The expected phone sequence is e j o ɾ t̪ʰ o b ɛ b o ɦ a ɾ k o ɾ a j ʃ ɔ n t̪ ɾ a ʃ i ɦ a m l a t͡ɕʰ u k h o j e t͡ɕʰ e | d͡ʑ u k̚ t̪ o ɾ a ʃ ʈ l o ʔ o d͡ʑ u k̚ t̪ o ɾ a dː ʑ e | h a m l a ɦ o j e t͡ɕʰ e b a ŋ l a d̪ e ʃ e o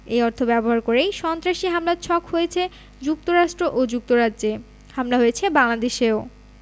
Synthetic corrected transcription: e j ɔ ɾ t̪ʰ o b ɛ b o ɦ a ɾ k o ɾ e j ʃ ɔ n t̪ ɾ a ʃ i ɦ a m l a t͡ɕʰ ɔ k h o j e t͡ɕʰ e | d͡ʑ u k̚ t̪ o ɾ a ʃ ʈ ɾ o ʔ o d͡ʑ u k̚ t̪ o ɾ a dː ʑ e | h a m l a ɦ o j e t͡ɕʰ e b a ŋ l a d̪ e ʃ e o